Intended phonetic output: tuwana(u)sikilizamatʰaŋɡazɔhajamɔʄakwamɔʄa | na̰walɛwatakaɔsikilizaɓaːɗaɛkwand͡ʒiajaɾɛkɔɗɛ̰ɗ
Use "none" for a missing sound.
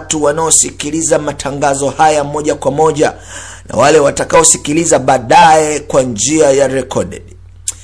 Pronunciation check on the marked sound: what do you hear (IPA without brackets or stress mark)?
ɔ